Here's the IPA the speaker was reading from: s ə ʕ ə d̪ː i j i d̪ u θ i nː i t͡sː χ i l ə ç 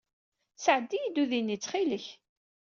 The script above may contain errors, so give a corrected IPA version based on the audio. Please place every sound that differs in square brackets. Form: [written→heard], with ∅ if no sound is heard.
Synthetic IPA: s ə ʕ ə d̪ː i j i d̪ u [θ→ð] i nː i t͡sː χ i l ə ç